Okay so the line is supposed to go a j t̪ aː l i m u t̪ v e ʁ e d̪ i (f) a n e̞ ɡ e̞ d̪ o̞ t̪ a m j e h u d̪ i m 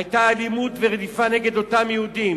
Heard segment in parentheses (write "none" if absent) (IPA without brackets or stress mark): f